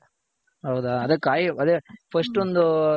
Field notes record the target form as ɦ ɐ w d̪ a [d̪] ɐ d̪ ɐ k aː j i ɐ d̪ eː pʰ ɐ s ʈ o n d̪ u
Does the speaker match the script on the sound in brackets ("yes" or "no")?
no